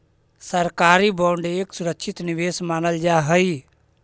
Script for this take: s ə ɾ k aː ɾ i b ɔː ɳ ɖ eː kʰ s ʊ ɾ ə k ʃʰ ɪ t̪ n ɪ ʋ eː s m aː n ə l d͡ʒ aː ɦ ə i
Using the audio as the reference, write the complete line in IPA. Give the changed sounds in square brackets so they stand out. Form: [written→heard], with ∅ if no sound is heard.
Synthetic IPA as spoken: s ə ɾ k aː ɾ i b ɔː ɳ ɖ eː [kʰ→k] s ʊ ɾ ə k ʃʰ ɪ t̪ n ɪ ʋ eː s m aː n ə l d͡ʒ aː ɦ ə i